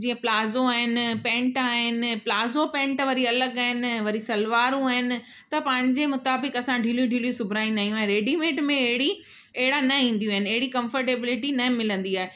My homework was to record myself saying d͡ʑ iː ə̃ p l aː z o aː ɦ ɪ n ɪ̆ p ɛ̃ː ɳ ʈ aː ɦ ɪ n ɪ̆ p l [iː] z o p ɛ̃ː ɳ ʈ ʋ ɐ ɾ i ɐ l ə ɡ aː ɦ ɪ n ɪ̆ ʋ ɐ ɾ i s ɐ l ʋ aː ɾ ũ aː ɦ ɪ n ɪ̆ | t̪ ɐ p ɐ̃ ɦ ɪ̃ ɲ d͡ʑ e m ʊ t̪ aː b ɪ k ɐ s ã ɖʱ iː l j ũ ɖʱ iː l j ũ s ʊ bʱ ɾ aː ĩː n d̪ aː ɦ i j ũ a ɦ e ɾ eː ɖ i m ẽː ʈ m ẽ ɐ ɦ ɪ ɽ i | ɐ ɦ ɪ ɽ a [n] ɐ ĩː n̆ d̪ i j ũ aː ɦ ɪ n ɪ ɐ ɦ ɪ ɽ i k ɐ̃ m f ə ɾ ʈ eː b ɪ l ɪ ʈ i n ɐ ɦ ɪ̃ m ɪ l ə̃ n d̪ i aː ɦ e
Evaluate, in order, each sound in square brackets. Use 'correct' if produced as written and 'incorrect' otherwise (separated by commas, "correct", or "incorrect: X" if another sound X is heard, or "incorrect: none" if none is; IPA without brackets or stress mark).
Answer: incorrect: aː, correct